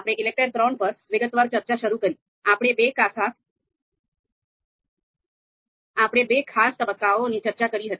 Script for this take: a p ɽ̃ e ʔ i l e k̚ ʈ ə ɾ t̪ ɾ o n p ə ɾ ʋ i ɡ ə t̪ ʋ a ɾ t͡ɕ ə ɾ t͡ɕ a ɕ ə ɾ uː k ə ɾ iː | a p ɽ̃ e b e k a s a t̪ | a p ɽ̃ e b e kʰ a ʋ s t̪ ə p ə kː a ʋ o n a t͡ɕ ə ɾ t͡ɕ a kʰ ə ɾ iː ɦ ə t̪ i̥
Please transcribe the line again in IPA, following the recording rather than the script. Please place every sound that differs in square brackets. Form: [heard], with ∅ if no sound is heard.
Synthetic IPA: a p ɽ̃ e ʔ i l e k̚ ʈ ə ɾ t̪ ɾ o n p ə ɾ ʋ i ɡ ə t̪ ʋ a ɾ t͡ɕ ə ɾ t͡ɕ a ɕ ə ɾ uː k ə ɾ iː | a p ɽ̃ e b e k a s a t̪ | a p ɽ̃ e b e kʰ a [∅] s t̪ ə [b] ə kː a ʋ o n [i] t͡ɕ ə ɾ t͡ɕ a [k] ə ɾ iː ɦ ə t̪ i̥